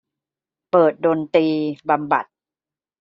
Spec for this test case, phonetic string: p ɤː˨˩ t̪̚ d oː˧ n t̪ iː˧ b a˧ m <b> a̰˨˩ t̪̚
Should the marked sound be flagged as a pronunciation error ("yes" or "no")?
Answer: no